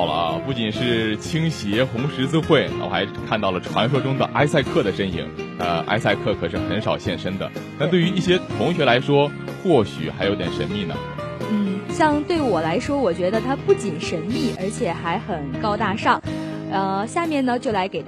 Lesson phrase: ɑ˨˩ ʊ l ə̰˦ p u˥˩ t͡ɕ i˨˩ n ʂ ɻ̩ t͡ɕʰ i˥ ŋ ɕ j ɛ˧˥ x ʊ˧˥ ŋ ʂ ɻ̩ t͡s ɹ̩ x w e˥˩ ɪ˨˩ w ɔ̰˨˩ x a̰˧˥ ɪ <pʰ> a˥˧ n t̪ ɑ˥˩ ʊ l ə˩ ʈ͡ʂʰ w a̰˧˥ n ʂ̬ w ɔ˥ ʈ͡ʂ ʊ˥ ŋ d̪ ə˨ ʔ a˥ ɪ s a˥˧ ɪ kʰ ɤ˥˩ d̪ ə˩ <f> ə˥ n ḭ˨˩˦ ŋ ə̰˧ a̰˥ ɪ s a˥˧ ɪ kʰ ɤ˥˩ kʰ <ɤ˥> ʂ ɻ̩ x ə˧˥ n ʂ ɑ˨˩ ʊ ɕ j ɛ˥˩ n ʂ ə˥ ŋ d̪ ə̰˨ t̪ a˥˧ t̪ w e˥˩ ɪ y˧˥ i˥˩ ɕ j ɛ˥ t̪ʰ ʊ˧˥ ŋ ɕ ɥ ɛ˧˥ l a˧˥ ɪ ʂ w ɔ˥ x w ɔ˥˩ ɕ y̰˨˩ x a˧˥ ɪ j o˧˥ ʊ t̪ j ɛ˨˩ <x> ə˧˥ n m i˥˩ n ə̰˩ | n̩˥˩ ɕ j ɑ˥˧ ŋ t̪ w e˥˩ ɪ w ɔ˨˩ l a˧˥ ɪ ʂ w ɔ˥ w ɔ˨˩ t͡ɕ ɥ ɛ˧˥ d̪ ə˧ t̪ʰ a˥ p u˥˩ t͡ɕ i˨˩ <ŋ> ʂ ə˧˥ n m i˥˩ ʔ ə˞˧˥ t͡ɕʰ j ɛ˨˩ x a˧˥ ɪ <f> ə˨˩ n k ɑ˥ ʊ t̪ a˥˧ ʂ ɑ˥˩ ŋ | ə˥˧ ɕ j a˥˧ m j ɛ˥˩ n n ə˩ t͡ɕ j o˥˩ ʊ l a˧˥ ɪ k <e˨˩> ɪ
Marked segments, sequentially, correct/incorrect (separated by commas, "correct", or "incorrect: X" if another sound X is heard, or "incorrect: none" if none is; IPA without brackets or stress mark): incorrect: kʰ, incorrect: ʂ, incorrect: ɤ˨˩, incorrect: ʂ, incorrect: n, incorrect: x, correct